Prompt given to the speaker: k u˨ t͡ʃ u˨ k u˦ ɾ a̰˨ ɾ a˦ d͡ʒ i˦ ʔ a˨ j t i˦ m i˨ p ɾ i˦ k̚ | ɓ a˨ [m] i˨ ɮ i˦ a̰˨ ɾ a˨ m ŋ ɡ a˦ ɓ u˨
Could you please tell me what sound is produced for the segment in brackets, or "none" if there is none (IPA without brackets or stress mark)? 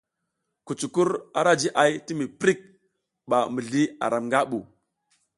m